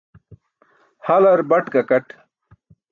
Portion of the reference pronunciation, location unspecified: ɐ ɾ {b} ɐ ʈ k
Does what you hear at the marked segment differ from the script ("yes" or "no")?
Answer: no